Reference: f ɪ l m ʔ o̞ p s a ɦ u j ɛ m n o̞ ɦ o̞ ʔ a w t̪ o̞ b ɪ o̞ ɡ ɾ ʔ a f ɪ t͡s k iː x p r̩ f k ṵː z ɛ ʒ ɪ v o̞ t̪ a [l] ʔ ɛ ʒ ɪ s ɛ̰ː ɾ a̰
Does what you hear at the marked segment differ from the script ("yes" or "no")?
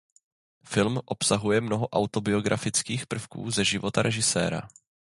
yes